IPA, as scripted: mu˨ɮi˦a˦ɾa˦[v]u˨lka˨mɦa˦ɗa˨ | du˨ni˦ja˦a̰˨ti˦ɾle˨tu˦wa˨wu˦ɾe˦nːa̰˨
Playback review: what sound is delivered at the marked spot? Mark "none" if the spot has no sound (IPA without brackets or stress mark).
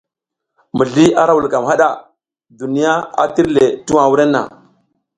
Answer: w